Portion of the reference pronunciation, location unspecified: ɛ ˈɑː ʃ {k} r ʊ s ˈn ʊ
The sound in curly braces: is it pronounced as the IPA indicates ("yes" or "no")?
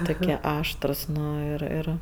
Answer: no